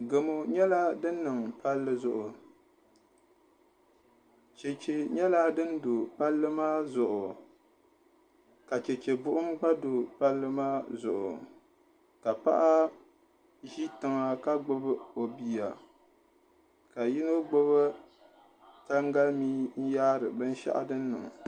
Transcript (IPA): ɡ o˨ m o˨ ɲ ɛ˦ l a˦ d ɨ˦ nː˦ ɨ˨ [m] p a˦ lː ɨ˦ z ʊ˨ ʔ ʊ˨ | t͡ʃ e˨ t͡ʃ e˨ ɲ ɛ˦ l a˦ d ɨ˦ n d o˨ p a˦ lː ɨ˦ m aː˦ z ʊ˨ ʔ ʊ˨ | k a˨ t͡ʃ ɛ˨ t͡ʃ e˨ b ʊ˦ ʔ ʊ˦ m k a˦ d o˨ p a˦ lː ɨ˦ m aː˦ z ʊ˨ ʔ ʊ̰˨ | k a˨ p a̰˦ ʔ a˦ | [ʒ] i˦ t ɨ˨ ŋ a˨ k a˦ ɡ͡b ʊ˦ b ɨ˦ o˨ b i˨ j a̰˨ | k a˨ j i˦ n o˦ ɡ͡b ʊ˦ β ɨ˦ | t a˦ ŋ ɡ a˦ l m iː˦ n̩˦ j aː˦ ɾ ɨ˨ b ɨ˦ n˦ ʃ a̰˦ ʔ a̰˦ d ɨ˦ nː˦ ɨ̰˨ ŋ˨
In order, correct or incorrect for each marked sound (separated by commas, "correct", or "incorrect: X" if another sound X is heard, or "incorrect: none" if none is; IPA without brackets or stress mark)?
incorrect: ŋ, correct